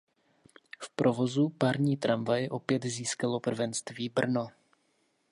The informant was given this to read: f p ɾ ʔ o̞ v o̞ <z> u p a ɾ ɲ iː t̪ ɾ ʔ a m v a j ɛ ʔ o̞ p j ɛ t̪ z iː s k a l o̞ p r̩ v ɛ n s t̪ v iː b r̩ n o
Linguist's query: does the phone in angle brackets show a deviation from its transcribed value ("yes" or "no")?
no